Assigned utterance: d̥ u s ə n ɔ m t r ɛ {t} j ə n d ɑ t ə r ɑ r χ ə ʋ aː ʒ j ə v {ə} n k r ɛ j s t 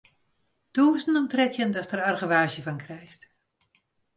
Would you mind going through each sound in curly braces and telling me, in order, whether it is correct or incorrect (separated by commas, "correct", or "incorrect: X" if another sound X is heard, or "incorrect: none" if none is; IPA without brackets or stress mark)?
incorrect: k, incorrect: ɑ